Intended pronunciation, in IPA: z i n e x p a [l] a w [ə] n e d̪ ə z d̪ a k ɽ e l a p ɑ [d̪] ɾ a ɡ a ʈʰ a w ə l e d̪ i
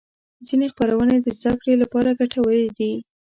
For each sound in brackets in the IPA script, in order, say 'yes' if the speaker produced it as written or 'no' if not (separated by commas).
no, yes, no